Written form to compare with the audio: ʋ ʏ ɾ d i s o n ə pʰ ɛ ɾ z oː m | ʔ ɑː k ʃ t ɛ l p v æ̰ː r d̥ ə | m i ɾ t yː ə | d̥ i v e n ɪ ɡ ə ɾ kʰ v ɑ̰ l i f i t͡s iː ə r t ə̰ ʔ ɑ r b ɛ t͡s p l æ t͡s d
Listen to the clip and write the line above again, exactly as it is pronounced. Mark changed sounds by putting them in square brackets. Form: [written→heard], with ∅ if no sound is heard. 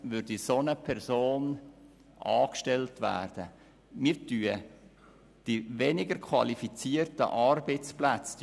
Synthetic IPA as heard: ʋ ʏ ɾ d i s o n ə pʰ ɛ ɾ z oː [m→n] | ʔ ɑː k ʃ t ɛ l [p→t] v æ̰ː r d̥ ə | m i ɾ t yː ə | d̥ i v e n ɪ ɡ ə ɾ kʰ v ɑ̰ l i f i t͡s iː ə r t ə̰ ʔ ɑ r b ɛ t͡s p l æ t͡s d